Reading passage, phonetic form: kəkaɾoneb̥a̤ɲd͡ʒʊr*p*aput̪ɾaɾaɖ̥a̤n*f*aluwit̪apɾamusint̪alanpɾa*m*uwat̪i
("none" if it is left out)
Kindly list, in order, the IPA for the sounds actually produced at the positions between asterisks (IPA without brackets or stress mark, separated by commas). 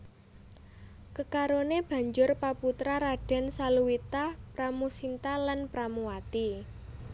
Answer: p, s, m